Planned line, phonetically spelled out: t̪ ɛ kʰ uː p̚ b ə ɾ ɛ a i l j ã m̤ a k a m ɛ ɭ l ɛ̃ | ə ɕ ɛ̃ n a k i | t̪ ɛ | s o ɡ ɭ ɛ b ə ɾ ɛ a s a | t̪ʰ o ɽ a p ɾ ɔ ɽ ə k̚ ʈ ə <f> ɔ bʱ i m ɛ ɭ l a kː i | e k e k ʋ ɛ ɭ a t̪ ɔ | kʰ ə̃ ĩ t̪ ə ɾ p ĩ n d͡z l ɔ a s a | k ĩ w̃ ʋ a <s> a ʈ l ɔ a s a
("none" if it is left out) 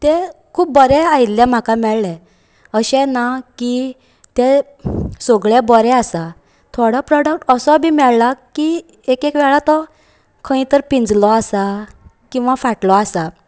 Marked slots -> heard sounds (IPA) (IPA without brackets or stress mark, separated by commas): s, f